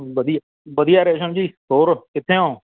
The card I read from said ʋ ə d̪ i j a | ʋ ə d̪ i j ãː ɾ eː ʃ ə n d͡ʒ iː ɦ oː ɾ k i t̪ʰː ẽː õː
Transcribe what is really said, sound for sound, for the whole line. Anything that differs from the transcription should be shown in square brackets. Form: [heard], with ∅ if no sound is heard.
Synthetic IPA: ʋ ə d̪ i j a | ʋ ə d̪ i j [aː] ɾ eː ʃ ə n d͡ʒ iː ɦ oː ɾ k [ɪ] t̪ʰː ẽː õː